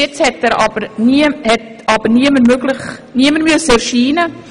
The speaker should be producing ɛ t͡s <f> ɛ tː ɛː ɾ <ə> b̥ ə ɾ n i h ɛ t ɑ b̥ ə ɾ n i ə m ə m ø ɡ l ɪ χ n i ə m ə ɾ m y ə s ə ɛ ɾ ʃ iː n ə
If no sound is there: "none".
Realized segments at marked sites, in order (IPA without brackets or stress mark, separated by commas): h, ɑ